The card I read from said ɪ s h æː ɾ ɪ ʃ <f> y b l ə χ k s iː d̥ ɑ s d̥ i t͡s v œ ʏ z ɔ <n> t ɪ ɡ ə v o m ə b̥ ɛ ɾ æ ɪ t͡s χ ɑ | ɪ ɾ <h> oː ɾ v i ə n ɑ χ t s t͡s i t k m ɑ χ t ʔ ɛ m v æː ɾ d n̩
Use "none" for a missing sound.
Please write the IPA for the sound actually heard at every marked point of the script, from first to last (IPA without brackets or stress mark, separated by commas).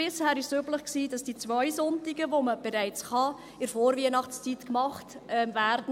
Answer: s, n, f